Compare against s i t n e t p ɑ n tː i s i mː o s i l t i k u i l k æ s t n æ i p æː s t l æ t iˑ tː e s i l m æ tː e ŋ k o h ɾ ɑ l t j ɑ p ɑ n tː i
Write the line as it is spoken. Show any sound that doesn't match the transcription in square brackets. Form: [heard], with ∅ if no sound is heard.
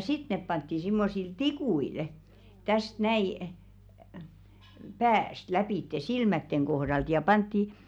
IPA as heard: s i t n e [p] p ɑ n tː i s i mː o s i l t i k u i l [t] æ s t n æ i p æː s t l æ [p] iˑ tː e s i l m æ tː e ŋ k o h ɾ ɑ l t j ɑ p ɑ n tː i